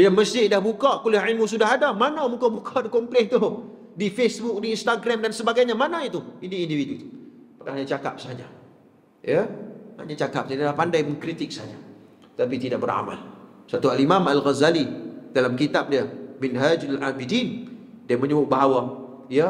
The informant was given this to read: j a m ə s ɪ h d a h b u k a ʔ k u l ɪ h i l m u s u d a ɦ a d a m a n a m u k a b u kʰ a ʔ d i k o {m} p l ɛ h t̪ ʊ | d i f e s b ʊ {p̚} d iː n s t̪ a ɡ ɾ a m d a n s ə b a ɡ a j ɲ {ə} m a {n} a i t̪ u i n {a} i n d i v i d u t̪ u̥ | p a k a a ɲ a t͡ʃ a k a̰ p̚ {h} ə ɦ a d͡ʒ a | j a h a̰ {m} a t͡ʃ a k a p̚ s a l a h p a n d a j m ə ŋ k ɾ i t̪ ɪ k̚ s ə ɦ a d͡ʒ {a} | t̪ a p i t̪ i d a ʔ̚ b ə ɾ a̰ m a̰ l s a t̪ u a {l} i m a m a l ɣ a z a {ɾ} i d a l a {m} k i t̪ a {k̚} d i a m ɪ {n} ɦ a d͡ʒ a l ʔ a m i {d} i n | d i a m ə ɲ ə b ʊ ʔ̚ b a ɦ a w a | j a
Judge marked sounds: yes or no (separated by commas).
yes, no, no, yes, no, no, no, yes, yes, no, yes, no, yes, yes